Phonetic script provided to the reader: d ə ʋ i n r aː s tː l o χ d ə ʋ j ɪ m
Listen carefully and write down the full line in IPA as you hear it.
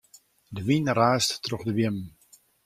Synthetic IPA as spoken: d ə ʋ i n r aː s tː r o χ d ə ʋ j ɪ m